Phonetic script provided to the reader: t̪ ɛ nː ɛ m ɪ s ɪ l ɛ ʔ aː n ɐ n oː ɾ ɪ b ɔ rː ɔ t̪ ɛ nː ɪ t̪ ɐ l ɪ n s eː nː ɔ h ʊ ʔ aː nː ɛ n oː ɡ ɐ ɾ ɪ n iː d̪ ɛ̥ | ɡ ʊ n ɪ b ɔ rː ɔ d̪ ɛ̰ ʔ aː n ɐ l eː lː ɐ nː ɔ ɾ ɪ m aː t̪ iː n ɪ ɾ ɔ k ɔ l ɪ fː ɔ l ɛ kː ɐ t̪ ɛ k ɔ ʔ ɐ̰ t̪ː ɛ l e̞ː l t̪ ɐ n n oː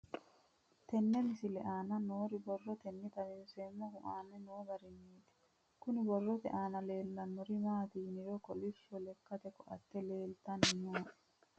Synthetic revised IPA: t̪ ɛ nː ɛ m ɪ s ɪ l ɛ ʔ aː n ɐ n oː ɾ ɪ b ɔ rː ɔ t̪ ɛ nː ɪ t̪ ɐ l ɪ n s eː mː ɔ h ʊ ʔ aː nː ɛ n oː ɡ ɐ ɾ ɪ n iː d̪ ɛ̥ | k ʊ n ɪ b ɔ rː ɔ t̪ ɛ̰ ʔ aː n ɐ l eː lː ɐ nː ɔ ɾ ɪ m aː t̪ iː n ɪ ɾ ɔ k ɔ l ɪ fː ɔ l ɛ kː ɐ t̪ ɛ k ɔ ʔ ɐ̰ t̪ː ɛ l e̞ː l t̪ ɐ n n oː

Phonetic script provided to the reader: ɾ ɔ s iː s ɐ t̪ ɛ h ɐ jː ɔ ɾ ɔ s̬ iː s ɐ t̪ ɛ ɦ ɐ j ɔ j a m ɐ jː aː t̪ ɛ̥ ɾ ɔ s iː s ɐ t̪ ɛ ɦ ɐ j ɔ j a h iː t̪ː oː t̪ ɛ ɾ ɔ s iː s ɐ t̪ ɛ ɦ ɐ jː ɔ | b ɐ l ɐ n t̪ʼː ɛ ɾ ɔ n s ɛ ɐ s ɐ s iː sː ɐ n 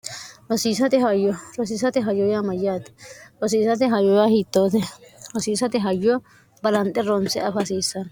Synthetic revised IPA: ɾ ɔ s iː s ɐ t̪ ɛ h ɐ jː ɔ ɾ ɔ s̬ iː s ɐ t̪ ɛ ɦ ɐ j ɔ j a m ɐ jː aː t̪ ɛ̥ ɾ ɔ s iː s ɐ t̪ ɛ ɦ ɐ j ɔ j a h iː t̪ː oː t̪ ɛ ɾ ɔ s iː s ɐ t̪ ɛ ɦ ɐ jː ɔ | b ɐ l ɐ n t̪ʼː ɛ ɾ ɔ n s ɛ ɐ f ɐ s iː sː ɐ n

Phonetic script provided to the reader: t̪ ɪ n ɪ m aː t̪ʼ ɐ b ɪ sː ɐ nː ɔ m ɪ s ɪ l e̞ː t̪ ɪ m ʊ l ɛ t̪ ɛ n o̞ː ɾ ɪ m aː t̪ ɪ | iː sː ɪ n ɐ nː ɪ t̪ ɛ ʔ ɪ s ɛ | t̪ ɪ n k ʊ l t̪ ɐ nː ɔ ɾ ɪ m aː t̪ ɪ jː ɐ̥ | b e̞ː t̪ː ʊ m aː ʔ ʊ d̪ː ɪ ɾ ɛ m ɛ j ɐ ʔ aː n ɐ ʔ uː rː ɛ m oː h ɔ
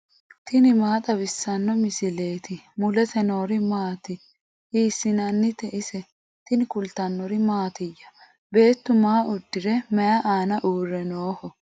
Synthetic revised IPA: t̪ ɪ n ɪ m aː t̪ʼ ɐ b ɪ sː ɐ nː ɔ m ɪ s ɪ l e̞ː t̪ ɪ m ʊ l ɛ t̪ ɛ n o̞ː ɾ ɪ m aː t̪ ɪ | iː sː ɪ n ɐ nː ɪ t̪ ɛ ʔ ɪ s ɛ | t̪ ɪ n k ʊ l t̪ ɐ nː ɔ ɾ ɪ m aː t̪ ɪ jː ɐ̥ | b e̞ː t̪ː ʊ m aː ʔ ʊ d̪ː ɪ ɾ ɛ m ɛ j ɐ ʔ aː n ɐ ʔ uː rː ɛ n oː h ɔ

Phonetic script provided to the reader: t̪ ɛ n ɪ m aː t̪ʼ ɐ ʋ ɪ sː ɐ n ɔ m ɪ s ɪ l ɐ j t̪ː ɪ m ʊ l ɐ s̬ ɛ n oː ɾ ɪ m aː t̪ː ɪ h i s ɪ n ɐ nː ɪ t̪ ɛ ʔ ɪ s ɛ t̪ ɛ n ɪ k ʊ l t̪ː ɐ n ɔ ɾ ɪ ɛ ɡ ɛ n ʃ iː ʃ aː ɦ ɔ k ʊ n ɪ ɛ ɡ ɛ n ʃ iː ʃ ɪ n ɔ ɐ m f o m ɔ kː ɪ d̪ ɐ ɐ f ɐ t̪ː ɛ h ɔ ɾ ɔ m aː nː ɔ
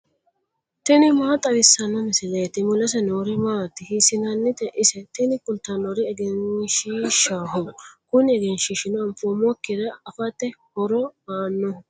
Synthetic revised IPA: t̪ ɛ n ɪ m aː t̪ʼ ɐ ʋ ɪ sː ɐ n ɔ m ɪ s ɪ l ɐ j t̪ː ɪ m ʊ l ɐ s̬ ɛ n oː ɾ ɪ m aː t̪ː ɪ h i s ɪ n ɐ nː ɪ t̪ ɛ ʔ ɪ s ɛ t̪ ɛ n ɪ k ʊ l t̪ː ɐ n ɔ ɾ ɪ ɛ ɡ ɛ n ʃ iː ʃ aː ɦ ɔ k ʊ n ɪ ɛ ɡ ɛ n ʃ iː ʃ ɪ n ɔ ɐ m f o m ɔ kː ɪ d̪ ɐ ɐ f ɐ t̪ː ɛ h ɔ ɾ ɔ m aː nː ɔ

